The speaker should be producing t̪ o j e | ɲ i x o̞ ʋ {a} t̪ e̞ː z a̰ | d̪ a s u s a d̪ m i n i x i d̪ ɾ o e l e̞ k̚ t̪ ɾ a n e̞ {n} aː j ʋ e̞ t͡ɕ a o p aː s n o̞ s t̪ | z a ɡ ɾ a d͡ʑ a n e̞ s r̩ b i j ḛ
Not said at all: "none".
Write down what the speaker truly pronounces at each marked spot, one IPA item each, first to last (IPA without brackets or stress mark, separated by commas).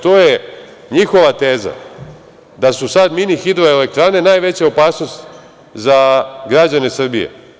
a, n